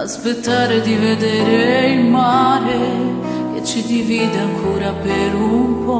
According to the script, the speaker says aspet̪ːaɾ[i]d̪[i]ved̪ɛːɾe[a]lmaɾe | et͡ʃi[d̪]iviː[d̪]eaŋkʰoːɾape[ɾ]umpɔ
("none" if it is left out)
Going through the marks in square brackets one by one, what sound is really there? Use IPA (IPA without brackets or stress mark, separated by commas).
e, i, i, d̪, d̪, ɾ